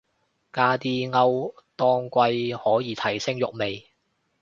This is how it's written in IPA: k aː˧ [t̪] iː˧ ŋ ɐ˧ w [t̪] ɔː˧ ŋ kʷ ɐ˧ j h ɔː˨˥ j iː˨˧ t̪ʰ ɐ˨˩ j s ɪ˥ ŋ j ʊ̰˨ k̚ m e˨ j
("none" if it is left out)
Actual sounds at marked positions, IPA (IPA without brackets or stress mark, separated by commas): t̪, t̪